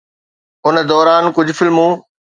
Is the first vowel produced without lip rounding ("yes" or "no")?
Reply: no